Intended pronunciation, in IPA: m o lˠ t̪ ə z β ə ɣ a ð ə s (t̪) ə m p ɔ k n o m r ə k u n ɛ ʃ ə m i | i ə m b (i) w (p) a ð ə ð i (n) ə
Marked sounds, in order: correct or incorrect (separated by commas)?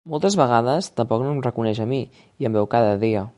correct, incorrect, incorrect, incorrect